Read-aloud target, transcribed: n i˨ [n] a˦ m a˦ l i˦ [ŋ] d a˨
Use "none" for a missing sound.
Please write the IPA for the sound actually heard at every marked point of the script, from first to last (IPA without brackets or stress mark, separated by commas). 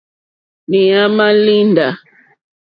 none, n